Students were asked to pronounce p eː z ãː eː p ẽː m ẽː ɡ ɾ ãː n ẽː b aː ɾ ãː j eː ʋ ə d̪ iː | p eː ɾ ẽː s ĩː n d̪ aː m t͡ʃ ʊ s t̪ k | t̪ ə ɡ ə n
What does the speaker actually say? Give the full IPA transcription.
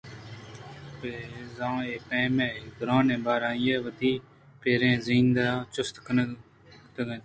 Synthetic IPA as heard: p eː z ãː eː p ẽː m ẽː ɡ ɾ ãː n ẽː b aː ɾ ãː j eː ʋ ə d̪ iː | p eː ɾ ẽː z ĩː n d̪ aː t͡ʃ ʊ s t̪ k | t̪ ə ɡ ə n